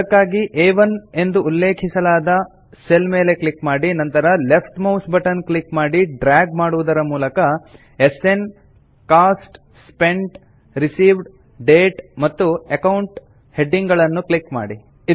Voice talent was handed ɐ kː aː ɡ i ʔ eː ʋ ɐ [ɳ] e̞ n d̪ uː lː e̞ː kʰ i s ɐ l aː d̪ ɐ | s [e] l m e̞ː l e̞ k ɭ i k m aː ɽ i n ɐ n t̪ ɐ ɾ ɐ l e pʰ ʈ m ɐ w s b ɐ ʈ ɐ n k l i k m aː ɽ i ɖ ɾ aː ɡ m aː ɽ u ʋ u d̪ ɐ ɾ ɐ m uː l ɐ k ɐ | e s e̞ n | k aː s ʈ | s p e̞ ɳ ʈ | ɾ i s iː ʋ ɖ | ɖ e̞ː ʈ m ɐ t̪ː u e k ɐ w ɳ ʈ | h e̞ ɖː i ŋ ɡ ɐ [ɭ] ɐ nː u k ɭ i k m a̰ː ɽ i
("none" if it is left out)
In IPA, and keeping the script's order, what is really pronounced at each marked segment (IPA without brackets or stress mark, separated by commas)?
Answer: n, e, ɭ